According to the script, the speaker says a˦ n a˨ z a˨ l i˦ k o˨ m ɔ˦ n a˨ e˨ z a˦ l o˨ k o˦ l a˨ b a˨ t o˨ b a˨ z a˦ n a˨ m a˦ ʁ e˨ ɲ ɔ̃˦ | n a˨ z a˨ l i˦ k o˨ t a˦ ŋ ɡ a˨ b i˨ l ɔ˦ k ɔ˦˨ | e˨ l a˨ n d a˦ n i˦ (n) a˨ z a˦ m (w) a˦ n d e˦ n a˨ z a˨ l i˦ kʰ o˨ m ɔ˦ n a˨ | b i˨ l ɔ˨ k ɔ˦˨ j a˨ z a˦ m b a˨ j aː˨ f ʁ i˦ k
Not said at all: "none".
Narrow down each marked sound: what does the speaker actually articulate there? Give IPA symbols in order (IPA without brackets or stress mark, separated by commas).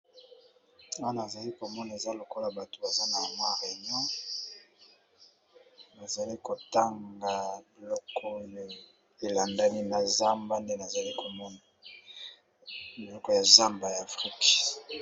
n, b